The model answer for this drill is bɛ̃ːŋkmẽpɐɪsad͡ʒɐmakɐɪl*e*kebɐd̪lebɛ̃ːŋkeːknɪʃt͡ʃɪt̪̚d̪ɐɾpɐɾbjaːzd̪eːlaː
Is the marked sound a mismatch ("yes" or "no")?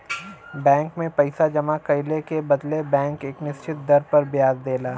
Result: no